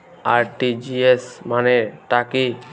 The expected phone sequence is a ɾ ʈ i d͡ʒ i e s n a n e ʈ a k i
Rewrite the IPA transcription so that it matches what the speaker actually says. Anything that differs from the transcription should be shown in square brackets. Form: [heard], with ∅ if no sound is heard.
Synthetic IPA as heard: a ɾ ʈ i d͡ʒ i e s [m] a n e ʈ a k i